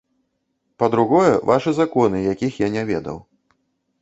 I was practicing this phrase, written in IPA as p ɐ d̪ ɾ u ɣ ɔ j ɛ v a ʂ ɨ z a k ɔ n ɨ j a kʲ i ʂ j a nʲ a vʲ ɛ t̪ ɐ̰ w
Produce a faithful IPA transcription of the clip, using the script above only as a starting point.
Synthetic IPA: p ɐ d̪ ɾ u ɣ ɔ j ɛ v a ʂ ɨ z a k ɔ n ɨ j a kʲ i x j a nʲ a vʲ ɛ d̪ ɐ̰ w